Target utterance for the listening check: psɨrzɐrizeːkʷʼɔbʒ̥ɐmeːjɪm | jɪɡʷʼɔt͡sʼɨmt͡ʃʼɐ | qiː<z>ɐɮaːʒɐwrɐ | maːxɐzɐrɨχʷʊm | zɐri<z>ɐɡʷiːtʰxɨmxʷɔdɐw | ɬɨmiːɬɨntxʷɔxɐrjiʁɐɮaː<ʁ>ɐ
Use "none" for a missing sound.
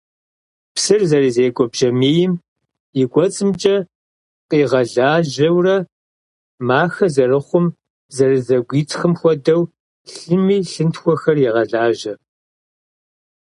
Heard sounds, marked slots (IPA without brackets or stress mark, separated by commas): ʁ, z, ʒ